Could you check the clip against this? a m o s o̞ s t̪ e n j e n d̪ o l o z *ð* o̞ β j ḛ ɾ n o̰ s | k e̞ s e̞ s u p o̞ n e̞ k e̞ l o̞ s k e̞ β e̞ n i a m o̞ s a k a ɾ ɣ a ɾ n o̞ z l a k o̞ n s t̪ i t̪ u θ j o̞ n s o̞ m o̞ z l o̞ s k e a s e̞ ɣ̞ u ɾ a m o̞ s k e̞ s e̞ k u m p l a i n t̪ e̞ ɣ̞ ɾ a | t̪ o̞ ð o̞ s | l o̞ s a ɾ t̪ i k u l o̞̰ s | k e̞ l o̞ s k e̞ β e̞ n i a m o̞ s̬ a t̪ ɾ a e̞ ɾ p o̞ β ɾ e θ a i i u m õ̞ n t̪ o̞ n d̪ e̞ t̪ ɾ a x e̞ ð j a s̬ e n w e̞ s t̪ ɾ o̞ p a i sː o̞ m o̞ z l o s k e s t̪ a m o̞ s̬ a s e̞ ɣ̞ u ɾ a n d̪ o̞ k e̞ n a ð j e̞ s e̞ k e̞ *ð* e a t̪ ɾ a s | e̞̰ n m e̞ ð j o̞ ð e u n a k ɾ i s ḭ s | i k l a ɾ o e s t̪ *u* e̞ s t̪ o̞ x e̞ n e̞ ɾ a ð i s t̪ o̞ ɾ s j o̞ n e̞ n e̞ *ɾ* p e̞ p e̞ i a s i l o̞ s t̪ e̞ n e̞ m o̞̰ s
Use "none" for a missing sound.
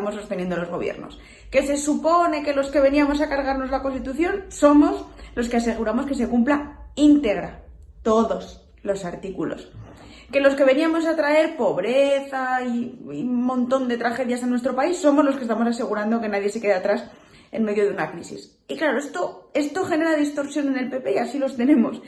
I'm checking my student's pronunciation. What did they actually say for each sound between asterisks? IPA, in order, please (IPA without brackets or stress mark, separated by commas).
ɣ, ð, o, l